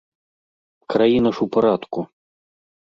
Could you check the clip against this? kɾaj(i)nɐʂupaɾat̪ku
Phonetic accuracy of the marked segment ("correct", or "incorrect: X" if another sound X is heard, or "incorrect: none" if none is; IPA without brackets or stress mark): correct